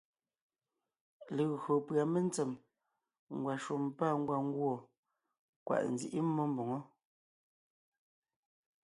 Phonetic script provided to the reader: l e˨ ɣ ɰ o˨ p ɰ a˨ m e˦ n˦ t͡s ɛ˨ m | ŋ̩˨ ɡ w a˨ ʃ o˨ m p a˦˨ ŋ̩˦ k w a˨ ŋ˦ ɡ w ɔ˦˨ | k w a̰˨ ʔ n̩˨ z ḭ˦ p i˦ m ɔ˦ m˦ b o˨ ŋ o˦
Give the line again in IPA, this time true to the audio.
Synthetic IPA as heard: l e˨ ɣ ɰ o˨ p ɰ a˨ m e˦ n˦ t͡s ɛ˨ m | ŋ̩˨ ɡ w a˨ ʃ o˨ m p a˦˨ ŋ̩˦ ɡ w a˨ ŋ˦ ɡ w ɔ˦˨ | k w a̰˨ ʔ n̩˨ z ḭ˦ ʔ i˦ m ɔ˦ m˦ b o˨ ŋ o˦